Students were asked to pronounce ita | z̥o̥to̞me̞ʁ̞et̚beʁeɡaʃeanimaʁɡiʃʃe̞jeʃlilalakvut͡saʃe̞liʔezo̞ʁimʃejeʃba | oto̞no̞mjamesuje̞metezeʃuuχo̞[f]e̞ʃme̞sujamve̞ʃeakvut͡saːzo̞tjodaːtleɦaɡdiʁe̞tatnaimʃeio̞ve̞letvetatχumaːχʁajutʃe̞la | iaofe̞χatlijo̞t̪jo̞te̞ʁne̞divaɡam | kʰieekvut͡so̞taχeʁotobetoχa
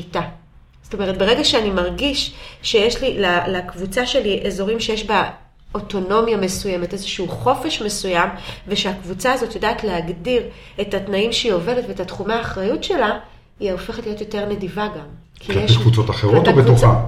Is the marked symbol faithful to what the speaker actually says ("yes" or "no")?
yes